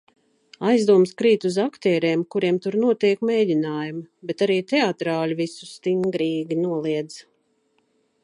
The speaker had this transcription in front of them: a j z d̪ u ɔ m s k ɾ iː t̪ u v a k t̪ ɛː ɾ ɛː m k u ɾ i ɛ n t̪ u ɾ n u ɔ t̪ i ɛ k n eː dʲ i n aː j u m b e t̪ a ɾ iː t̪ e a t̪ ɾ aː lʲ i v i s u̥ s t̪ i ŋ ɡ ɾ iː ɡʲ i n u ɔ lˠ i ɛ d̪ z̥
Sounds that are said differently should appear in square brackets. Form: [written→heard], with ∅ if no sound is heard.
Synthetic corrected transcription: a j z d̪ u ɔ m s k ɾ iː t̪ u [v→z] a k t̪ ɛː ɾ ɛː m k u ɾ i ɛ [n→m] t̪ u ɾ n u ɔ t̪ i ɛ k [n→m] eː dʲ i n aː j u m b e t̪ a ɾ iː t̪ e a t̪ ɾ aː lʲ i v i s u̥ s t̪ i ŋ ɡ ɾ iː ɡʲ i n u ɔ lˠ i ɛ d̪ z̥